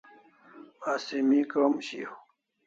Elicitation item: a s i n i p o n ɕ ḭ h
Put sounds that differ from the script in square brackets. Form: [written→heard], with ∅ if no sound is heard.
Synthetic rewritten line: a s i [n→m] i [p→k] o [n→m] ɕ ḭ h